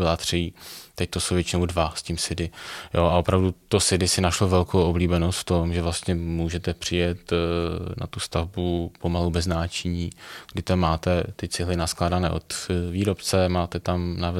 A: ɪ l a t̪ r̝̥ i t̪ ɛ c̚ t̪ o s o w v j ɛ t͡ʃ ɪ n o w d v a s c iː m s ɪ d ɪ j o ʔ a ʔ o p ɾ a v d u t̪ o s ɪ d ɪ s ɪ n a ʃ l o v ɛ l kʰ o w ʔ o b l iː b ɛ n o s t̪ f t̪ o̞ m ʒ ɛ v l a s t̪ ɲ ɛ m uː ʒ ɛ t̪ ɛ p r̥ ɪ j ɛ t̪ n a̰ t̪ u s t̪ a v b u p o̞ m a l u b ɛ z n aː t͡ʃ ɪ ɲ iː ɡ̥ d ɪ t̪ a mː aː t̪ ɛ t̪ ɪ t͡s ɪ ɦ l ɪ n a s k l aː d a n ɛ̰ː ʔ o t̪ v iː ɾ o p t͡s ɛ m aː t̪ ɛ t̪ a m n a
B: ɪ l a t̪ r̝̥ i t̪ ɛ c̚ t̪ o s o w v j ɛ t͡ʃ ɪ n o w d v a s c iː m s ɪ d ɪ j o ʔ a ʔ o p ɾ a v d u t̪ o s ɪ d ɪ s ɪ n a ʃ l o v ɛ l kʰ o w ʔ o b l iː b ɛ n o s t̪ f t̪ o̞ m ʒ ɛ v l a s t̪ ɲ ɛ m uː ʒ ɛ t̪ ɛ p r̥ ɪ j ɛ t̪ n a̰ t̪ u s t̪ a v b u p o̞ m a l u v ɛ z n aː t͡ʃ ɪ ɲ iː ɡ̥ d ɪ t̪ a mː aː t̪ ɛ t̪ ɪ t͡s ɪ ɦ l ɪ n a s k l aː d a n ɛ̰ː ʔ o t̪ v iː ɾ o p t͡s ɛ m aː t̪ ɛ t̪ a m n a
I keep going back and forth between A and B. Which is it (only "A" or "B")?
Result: A